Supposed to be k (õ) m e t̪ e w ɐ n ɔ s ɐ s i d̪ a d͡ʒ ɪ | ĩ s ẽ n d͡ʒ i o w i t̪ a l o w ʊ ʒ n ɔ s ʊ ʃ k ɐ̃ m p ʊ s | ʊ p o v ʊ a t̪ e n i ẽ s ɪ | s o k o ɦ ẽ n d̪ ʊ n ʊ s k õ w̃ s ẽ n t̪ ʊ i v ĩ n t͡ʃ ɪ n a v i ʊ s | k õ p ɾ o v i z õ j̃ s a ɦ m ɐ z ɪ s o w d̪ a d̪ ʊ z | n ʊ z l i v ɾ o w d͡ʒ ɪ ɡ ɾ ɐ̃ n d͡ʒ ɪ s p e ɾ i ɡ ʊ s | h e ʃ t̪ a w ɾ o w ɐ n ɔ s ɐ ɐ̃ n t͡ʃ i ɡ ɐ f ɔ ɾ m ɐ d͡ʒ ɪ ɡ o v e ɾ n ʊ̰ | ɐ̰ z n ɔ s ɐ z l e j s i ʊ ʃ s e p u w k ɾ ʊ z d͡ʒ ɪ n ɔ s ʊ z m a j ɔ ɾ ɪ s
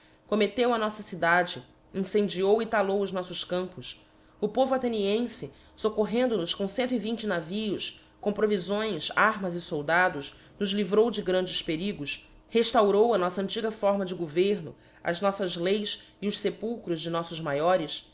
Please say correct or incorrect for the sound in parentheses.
incorrect